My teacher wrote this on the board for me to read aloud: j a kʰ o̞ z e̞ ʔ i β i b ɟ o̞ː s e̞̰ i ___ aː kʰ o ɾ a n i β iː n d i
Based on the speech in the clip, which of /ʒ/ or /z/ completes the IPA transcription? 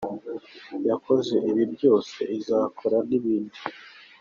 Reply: z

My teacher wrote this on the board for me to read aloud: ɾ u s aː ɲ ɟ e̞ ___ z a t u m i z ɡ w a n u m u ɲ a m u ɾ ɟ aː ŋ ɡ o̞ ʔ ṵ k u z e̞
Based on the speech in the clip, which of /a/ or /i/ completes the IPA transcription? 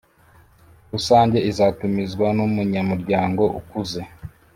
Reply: i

